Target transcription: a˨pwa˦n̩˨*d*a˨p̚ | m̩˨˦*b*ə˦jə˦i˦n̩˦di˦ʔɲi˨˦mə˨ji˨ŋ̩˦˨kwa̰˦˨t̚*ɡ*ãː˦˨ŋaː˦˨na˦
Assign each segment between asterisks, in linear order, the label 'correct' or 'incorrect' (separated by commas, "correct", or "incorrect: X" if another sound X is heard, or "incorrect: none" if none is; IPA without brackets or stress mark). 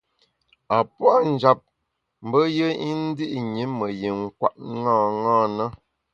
incorrect: d͡ʒ, correct, incorrect: ŋ